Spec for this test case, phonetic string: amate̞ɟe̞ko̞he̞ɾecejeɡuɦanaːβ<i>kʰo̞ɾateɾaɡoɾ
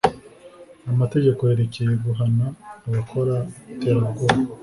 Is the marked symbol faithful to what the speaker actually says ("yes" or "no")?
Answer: no